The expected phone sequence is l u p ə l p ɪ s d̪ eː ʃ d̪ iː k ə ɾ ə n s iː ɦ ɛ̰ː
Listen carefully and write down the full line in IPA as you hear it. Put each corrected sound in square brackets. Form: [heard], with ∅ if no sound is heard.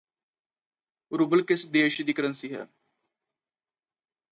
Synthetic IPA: [ɾ] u [b] ə l [k] ɪ s d̪ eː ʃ d̪ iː k ə ɾ ə n s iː ɦ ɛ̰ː